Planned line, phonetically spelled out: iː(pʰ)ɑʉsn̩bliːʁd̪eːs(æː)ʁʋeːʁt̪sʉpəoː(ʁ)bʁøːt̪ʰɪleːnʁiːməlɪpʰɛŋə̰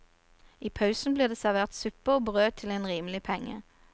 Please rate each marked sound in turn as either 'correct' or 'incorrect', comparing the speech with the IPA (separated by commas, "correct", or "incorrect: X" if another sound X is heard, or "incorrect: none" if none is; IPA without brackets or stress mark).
correct, incorrect: æ, incorrect: none